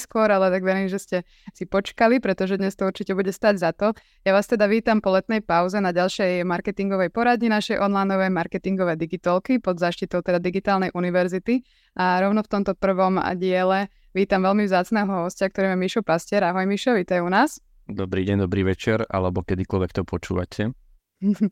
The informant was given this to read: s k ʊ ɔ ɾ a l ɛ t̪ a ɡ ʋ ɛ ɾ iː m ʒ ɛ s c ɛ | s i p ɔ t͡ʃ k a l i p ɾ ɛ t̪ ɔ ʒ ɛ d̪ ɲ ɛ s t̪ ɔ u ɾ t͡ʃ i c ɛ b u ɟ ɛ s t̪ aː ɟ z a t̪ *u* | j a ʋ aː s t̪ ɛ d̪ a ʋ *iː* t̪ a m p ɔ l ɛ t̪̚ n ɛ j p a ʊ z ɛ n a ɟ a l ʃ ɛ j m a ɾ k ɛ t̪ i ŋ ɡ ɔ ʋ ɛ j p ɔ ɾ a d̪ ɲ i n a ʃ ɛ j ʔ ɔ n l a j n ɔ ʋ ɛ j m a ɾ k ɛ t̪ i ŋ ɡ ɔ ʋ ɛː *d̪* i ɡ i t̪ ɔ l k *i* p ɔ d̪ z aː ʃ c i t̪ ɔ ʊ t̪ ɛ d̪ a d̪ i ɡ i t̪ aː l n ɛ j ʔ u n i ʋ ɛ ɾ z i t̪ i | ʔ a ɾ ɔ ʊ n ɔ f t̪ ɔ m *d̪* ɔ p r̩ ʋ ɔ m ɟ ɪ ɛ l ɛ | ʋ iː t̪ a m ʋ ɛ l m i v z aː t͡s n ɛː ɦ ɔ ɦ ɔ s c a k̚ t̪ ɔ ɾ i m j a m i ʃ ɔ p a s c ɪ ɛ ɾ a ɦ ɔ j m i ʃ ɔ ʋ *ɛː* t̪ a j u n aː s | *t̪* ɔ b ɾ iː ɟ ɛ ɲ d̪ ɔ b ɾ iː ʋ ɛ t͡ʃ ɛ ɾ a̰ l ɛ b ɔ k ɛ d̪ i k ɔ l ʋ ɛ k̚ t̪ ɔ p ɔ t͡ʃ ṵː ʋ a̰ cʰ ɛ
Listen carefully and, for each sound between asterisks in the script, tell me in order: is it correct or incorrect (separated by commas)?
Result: incorrect, correct, correct, correct, incorrect, incorrect, incorrect